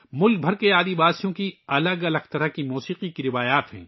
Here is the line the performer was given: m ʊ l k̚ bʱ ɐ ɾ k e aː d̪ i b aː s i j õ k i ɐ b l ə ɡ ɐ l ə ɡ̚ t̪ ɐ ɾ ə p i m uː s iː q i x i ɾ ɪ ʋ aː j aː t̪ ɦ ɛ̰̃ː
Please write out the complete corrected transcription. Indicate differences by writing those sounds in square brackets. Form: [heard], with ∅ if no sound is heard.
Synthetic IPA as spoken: m ʊ l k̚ bʱ ɐ ɾ k e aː d̪ i b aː s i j õ k i ɐ [∅] l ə ɡ ɐ l ə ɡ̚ t̪ ɐ ɾ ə [k] i m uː s iː q i [k] i ɾ ɪ ʋ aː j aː t̪ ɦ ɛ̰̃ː

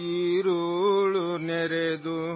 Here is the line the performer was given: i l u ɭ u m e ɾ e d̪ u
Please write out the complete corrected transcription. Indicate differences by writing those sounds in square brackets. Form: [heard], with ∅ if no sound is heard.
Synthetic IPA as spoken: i [ɾ] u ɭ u [n] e ɾ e d̪ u

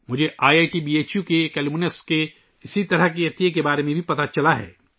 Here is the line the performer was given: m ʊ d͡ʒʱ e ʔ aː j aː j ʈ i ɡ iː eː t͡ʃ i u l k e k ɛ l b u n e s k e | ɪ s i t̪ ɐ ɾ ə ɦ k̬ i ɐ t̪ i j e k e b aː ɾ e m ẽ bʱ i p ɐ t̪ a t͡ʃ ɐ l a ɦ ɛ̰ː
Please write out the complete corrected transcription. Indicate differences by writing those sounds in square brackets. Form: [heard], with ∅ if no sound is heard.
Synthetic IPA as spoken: m ʊ d͡ʒʱ e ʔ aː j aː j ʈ i [b] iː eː t͡ʃ [j] u [∅] k e k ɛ l [m] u n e s k e | ɪ s i t̪ ɐ ɾ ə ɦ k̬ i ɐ t̪ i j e k e b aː ɾ e m ẽ bʱ i p ɐ t̪ a t͡ʃ ɐ l a ɦ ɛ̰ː

